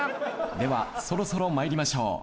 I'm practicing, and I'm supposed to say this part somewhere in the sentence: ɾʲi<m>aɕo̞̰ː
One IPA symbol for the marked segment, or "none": m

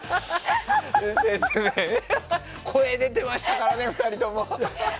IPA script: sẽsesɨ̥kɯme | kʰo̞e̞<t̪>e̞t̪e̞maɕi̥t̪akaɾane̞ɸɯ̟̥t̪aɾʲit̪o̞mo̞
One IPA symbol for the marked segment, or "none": d̪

